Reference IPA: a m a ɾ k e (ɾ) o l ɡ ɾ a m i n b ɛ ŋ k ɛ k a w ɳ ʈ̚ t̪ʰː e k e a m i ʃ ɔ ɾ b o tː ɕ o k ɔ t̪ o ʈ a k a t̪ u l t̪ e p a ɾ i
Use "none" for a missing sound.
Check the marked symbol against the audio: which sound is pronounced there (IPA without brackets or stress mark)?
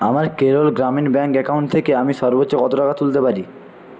ɾ